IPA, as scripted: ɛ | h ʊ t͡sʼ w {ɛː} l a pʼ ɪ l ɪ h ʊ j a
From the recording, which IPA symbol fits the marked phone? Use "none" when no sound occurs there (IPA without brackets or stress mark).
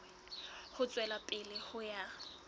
ɛ